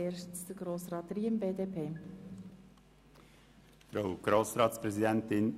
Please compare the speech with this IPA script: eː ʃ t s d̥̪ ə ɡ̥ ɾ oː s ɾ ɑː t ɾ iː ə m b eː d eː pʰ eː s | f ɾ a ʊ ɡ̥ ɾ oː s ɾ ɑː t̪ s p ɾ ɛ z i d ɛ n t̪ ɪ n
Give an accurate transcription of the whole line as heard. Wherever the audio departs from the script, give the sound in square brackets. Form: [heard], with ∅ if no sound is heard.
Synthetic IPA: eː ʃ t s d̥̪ ə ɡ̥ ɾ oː s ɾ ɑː t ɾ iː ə m b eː d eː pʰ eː [∅] | f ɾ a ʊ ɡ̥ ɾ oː s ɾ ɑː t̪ s p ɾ ɛ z i d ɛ n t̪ ɪ n